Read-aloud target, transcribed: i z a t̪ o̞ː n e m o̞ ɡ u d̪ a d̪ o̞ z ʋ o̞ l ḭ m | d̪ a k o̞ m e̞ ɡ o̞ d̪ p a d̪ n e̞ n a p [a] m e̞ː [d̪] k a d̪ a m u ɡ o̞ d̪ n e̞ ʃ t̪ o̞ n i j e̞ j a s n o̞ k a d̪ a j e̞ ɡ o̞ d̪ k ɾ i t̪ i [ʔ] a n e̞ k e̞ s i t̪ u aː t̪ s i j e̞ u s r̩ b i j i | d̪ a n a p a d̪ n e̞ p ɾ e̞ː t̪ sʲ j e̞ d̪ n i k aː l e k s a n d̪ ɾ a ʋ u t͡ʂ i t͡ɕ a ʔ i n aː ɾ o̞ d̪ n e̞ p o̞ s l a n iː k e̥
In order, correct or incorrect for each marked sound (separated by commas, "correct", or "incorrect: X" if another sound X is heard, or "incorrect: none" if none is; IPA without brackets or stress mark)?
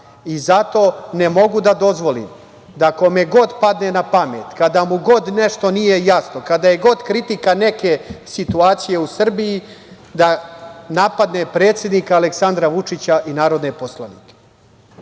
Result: correct, incorrect: t̪, incorrect: k